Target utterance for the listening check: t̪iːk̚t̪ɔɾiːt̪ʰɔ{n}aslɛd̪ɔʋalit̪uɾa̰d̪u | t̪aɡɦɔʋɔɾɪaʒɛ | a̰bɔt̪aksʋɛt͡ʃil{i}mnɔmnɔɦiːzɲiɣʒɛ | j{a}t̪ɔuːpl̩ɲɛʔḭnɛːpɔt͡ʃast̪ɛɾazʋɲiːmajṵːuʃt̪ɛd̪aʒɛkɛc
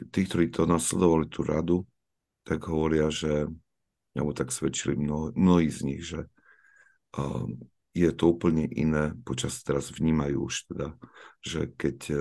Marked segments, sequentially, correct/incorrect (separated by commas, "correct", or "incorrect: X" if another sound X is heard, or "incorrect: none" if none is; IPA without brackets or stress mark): correct, correct, incorrect: ɛ